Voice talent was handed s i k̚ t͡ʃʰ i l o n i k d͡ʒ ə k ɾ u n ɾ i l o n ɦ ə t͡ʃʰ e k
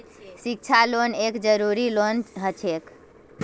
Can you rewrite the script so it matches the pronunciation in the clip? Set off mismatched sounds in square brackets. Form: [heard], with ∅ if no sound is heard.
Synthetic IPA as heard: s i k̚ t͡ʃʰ [a] l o n [e] k d͡ʒ ə [∅] ɾ u [∅] ɾ i l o n ɦ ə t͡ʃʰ e k

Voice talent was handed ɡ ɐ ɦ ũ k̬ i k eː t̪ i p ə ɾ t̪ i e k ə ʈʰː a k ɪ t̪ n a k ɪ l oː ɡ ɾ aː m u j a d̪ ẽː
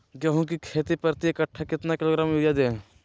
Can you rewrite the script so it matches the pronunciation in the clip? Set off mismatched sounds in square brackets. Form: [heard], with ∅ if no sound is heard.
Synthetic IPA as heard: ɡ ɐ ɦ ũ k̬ i [kʰ] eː t̪ i p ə ɾ t̪ i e k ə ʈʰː a k ɪ t̪ n a k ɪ l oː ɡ ɾ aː m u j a d̪ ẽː

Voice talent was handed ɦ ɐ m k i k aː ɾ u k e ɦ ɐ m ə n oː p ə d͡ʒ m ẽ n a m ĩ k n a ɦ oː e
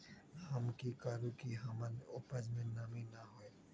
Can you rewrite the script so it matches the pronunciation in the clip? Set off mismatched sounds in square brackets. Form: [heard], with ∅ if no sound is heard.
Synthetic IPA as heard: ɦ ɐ m k i k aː ɾ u k [i] ɦ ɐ m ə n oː p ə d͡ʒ m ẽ n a m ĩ [∅] n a ɦ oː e

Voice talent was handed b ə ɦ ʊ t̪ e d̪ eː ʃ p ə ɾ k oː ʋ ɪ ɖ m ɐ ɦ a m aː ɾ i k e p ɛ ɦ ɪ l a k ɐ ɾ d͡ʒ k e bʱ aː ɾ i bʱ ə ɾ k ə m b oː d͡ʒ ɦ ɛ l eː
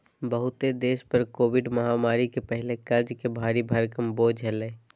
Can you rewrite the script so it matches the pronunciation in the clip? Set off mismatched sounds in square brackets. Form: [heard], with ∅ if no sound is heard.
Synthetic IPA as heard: b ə ɦ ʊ t̪ e d̪ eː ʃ p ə ɾ k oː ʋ ɪ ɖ m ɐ ɦ a m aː ɾ i k e p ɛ ɦ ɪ l [e] k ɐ ɾ d͡ʒ k e bʱ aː ɾ i bʱ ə ɾ k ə m b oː d͡ʒ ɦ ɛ l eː

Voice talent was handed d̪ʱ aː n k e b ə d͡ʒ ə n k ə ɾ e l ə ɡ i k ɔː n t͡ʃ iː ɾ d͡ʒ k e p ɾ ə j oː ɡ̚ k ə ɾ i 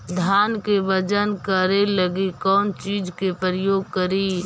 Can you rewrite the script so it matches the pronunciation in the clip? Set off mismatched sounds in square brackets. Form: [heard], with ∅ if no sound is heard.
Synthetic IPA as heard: d̪ʱ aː n k e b ə d͡ʒ ə n k ə ɾ e l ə ɡ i k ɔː n t͡ʃ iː [∅] d͡ʒ k e p ɾ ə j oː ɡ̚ k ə ɾ i

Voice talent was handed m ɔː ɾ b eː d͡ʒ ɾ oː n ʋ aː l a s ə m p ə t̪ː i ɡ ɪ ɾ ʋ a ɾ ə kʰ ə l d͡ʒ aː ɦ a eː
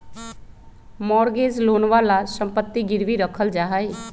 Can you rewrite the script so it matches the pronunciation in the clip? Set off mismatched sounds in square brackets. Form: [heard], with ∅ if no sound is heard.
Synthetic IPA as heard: m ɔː ɾ [ɡ] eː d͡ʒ [l] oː n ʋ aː l a s ə m p ə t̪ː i ɡ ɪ ɾ ʋ [i] ɾ ə kʰ ə l d͡ʒ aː ɦ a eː

